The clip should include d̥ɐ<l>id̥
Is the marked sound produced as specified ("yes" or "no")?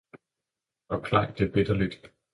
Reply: yes